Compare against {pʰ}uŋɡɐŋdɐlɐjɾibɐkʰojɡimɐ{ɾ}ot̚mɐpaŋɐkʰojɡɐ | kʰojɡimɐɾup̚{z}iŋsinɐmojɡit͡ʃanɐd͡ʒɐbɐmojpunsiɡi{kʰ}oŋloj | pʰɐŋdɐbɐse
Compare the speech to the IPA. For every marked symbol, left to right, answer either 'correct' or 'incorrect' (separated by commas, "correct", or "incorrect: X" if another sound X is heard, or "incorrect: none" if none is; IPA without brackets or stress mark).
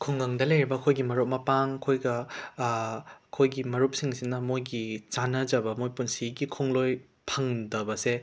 incorrect: kʰ, correct, incorrect: s, correct